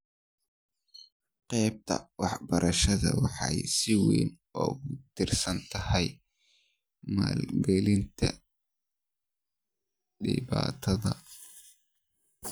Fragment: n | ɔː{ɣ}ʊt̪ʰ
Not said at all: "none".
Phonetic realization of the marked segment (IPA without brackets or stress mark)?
ɣ